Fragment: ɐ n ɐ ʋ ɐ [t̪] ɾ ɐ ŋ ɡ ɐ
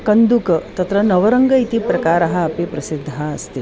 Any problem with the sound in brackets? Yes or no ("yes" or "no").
yes